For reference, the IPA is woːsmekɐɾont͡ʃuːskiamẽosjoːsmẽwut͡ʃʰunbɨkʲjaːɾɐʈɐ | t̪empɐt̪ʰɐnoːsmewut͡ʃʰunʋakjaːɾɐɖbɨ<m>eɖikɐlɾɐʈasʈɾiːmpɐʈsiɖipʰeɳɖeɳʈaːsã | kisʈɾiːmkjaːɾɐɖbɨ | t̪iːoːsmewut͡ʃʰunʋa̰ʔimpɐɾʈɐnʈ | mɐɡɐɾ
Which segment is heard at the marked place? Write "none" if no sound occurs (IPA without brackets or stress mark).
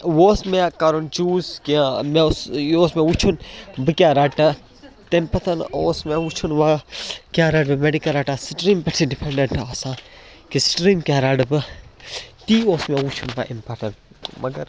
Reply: m